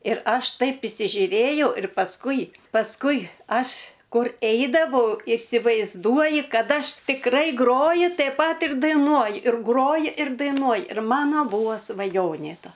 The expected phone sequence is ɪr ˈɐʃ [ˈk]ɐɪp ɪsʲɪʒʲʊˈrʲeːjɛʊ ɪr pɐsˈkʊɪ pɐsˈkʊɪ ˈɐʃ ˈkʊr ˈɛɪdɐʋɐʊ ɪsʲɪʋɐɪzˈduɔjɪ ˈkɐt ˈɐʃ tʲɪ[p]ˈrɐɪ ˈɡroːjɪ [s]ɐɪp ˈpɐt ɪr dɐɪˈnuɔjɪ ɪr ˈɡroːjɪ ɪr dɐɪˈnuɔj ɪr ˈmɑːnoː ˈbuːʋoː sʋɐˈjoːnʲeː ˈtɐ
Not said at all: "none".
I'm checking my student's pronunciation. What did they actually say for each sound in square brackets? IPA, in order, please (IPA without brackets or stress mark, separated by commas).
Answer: t, k, t